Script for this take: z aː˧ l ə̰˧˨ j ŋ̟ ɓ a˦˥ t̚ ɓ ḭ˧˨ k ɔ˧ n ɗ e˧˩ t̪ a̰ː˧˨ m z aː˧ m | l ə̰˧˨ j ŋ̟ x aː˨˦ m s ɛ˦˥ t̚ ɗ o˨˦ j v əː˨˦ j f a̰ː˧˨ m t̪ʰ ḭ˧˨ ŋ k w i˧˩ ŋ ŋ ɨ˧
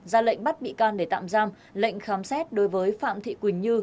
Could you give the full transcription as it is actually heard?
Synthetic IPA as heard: z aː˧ l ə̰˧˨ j ŋ̟ ɓ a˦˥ t̚ ɓ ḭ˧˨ k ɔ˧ n ɗ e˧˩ t̪ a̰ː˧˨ m z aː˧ m | l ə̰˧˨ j ŋ̟ x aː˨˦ m s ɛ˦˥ t̚ ɗ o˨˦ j v əː˨˦ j f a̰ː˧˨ m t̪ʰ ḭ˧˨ k w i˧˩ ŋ ɲ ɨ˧